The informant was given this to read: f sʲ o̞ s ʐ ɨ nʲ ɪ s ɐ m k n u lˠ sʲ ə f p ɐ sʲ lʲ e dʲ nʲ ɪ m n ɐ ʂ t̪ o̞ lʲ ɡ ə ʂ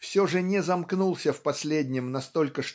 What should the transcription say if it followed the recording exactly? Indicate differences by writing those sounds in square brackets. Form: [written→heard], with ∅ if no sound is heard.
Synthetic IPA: f sʲ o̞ [s→∅] ʐ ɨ nʲ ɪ [s→z] ɐ m k n u lˠ sʲ ə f p ɐ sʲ lʲ e dʲ nʲ ɪ m n ɐ [ʂ→s] t̪ o̞ lʲ [ɡ→k] ə ʂ